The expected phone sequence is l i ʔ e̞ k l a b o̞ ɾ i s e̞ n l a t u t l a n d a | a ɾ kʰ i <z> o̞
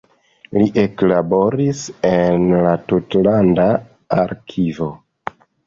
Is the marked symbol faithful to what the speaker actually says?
no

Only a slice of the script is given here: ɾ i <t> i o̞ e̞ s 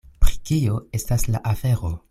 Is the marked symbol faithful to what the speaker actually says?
no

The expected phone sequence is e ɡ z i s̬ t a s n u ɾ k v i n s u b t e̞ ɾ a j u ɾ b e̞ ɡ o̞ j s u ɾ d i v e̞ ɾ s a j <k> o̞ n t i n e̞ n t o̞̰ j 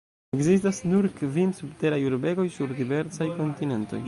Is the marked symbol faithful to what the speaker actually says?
yes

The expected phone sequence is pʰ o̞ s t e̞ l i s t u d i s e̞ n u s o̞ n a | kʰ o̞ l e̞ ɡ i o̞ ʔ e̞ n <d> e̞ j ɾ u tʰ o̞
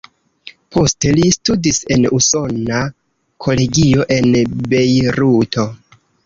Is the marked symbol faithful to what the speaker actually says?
no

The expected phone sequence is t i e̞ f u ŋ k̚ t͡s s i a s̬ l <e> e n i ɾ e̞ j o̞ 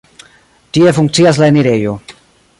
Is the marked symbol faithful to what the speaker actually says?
no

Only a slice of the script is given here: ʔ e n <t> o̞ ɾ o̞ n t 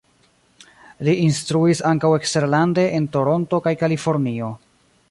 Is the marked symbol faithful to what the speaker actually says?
yes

